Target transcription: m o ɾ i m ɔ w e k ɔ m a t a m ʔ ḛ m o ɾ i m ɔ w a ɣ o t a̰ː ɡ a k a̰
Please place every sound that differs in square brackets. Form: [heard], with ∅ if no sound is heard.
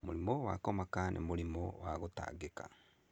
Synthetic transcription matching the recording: m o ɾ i m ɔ w [a] k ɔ m a [k] a [n] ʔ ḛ m o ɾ i m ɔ w a ɣ o t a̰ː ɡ [e] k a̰